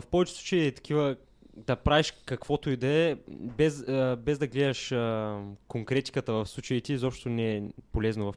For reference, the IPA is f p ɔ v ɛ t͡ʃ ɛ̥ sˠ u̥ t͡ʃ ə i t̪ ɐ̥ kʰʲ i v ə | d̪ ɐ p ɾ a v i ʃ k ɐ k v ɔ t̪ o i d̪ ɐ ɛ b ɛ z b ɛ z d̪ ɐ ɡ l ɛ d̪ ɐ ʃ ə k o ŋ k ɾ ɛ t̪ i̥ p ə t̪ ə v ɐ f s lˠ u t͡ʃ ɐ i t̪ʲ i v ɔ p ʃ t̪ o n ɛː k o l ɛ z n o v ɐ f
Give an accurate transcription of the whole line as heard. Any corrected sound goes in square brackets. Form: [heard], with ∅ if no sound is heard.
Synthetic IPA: f p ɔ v ɛ t͡ʃ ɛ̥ sˠ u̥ t͡ʃ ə i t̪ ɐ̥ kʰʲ i v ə | d̪ ɐ p ɾ a v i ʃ k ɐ k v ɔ t̪ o i d̪ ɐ ɛ b ɛ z b ɛ z d̪ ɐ ɡ l ɛ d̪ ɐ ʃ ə k o ŋ k ɾ ɛ t̪ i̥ [k] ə t̪ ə v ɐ f s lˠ u t͡ʃ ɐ i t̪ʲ i [z] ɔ p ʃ t̪ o n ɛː [p] o l ɛ z n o v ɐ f